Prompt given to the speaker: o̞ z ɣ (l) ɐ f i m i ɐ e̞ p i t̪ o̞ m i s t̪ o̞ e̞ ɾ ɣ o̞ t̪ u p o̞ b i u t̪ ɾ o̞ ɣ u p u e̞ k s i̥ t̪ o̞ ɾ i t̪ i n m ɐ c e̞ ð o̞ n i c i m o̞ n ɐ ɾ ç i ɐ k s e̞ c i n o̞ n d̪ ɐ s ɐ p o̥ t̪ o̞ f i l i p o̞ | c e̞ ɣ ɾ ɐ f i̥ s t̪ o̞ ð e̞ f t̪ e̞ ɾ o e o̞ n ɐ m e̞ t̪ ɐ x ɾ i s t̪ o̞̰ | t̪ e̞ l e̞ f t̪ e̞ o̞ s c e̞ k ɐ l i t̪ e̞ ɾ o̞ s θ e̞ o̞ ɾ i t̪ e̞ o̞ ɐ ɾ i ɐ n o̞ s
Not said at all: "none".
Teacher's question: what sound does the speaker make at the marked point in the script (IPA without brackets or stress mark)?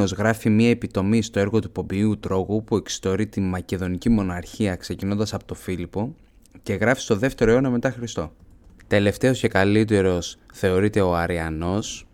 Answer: ɾ